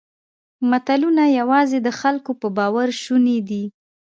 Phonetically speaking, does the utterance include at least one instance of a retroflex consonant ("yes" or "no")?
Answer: no